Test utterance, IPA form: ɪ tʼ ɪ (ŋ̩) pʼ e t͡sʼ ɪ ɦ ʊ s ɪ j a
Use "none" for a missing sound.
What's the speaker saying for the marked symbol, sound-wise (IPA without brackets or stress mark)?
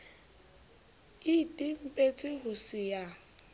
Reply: m̩